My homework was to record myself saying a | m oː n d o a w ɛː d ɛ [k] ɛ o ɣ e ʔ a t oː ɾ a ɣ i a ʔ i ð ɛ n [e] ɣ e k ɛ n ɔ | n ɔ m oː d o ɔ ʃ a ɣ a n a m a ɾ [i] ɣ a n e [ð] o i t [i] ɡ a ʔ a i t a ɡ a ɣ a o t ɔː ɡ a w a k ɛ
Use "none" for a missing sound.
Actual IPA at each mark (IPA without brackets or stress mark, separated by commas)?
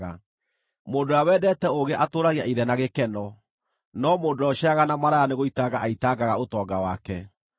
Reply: t, a, a, ɣ, a